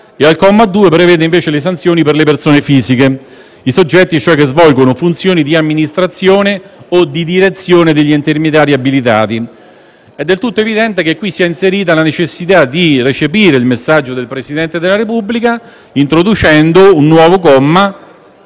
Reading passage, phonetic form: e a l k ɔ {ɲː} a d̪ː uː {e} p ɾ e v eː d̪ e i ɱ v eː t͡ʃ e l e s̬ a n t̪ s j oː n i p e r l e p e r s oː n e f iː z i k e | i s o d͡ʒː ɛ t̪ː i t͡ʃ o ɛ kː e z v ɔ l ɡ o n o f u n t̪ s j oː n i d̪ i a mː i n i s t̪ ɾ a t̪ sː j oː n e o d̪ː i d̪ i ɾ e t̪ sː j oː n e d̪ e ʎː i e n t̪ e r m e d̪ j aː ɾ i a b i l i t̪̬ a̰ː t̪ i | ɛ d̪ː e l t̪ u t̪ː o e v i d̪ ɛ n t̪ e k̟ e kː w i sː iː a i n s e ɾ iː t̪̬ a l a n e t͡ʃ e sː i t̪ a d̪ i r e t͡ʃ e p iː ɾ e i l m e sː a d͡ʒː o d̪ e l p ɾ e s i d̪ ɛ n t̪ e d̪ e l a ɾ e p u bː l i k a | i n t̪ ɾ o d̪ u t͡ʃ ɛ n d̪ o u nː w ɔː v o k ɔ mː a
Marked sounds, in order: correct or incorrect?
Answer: incorrect, correct

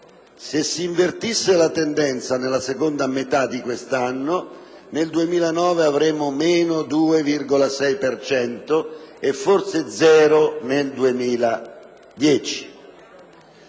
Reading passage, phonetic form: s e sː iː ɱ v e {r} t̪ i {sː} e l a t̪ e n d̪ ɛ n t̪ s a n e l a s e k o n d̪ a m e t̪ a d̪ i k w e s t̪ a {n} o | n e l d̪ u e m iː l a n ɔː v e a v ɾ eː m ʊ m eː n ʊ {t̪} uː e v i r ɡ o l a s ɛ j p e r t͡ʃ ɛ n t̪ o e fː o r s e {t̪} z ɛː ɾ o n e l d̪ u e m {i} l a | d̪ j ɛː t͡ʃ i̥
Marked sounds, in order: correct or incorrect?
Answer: correct, correct, incorrect, incorrect, incorrect, incorrect

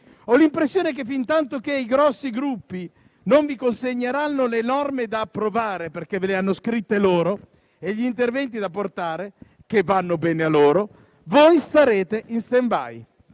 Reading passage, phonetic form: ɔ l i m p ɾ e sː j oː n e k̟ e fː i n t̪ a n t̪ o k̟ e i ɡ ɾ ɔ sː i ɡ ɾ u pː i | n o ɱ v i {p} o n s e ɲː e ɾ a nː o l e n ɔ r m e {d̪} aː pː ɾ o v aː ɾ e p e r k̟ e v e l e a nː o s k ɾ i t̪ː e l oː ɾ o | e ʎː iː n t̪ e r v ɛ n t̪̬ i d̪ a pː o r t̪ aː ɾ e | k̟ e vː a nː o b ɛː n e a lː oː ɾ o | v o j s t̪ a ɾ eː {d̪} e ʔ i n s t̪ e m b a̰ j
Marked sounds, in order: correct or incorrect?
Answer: incorrect, correct, incorrect

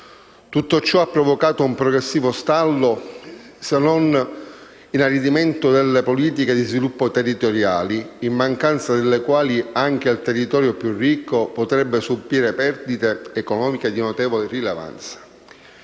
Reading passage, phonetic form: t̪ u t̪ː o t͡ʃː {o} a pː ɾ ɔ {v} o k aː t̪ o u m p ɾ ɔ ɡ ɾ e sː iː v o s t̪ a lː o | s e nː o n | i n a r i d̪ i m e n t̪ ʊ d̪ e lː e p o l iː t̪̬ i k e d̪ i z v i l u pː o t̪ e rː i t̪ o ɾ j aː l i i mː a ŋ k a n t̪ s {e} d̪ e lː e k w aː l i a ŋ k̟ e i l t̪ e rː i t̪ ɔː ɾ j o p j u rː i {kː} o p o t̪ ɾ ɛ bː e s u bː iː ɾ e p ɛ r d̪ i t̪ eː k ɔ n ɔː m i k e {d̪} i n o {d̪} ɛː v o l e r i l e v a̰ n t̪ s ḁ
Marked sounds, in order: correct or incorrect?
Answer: incorrect, correct, incorrect, correct, correct, incorrect

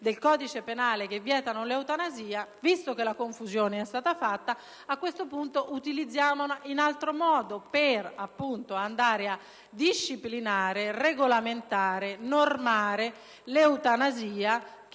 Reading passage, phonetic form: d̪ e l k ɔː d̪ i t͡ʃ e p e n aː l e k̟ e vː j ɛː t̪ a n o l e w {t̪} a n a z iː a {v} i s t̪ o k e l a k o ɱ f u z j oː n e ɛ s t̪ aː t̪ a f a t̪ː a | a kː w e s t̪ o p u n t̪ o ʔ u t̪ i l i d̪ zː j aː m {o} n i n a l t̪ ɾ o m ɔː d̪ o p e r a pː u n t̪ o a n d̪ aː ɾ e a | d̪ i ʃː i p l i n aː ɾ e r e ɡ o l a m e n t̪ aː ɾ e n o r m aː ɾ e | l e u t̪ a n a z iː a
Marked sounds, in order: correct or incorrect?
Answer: correct, correct, correct

